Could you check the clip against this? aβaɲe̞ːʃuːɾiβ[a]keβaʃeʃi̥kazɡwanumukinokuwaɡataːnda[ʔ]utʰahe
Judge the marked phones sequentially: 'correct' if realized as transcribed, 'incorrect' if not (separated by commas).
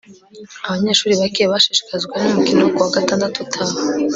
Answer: correct, incorrect